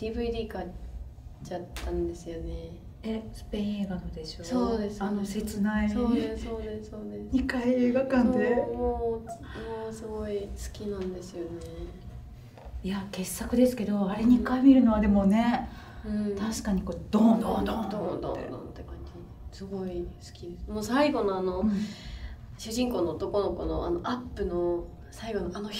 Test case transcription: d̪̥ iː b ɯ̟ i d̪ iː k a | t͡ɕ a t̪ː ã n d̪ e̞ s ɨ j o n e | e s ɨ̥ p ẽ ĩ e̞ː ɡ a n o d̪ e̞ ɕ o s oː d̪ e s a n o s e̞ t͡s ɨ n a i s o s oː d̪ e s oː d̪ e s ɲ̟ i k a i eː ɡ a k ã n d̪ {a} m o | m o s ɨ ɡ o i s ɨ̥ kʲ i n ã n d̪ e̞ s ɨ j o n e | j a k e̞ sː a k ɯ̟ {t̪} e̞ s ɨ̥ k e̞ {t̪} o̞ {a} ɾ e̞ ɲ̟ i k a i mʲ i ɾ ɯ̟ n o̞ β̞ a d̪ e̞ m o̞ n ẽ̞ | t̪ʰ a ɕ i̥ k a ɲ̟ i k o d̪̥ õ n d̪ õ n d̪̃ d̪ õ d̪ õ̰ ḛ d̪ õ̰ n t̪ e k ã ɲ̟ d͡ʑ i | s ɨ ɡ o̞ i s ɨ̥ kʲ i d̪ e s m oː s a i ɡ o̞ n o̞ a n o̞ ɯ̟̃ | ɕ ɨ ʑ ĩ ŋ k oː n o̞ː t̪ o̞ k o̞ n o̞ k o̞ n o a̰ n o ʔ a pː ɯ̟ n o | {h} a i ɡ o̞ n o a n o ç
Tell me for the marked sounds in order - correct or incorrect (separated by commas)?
incorrect, incorrect, incorrect, correct, incorrect